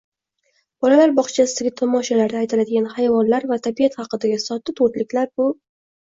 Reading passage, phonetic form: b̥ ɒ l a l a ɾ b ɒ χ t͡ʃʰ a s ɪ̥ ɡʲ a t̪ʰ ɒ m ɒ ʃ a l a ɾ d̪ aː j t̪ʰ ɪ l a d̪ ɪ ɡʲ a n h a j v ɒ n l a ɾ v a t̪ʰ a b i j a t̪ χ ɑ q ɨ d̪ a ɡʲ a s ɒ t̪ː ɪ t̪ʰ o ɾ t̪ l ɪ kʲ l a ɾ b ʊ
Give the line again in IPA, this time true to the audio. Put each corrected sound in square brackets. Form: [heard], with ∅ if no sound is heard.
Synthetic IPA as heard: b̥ ɒ l a l a ɾ b ɒ χ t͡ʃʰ a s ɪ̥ ɡʲ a t̪ʰ ɒ m ɒ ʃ a l a ɾ d̪ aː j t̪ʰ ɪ l a d̪ ɪ ɡʲ a n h a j v ɒ n l a ɾ v a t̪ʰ a b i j a t̪ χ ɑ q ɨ d̪ a ɡʲ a s ɒ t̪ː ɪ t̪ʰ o ɾ t̪ l ɪ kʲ l a ɾ b ʊ